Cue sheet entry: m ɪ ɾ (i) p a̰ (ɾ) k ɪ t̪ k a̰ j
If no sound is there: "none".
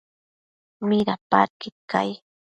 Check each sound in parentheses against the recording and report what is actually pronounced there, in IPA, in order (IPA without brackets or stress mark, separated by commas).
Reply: a, ɾ